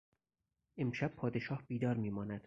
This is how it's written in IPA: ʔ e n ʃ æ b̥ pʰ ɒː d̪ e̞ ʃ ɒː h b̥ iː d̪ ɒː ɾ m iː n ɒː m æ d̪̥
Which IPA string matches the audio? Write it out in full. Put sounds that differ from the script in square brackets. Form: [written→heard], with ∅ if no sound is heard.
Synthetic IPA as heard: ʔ e [n→m] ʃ æ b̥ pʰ ɒː d̪ e̞ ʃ ɒː h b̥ iː d̪ ɒː ɾ m iː [n→m] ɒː [m→n] æ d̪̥